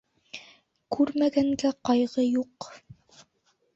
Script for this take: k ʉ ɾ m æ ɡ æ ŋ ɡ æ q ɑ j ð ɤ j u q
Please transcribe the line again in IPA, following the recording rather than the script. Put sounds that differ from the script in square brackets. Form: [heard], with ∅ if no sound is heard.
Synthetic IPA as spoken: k ʉ ɾ m æ ɡ æ ŋ ɡ æ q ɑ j [ʁ] ɤ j u q